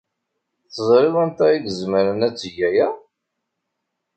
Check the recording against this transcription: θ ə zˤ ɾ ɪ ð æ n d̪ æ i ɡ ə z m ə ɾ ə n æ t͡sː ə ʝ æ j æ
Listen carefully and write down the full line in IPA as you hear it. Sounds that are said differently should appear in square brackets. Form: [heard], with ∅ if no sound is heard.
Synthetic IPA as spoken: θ ə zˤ ɾ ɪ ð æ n [t̪] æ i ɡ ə z m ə ɾ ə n æ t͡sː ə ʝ æ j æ